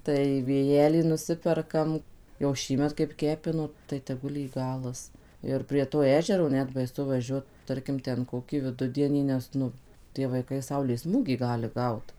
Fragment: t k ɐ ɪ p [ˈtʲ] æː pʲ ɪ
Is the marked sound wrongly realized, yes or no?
yes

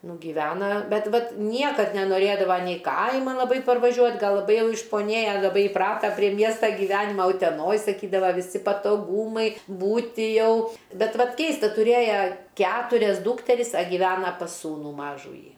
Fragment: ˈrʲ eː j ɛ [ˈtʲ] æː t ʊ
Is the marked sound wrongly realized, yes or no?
yes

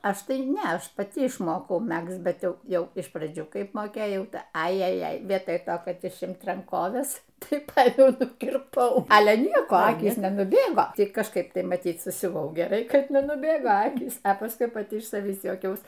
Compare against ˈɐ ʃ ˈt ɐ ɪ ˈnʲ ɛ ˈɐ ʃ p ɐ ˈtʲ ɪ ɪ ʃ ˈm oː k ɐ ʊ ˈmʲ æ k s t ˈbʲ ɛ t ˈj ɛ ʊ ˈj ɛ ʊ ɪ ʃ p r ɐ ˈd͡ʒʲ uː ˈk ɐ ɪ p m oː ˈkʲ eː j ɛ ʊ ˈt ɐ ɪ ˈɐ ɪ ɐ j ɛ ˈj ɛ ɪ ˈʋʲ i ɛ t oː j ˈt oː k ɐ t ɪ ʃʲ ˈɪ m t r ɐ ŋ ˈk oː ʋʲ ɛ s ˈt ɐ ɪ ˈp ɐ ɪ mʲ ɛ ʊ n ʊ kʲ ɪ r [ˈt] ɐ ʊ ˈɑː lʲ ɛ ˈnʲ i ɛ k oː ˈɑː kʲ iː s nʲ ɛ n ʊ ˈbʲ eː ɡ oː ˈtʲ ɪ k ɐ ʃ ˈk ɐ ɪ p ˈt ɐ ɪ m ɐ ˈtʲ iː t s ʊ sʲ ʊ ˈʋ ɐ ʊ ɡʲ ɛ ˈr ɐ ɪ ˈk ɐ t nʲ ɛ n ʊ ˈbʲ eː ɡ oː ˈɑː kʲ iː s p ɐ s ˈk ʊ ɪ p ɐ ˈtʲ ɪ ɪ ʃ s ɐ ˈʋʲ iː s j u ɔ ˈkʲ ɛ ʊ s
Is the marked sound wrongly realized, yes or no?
yes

